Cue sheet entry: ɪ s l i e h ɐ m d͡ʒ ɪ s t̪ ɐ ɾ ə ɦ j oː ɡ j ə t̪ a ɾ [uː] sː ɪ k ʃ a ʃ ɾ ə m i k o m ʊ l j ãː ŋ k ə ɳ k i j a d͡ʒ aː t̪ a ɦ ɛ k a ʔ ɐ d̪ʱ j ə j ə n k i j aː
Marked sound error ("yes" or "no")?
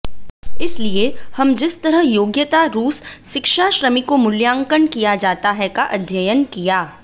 no